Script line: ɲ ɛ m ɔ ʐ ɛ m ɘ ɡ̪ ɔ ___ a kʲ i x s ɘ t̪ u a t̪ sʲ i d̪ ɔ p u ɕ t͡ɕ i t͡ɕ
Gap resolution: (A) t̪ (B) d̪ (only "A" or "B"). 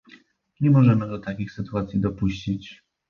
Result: A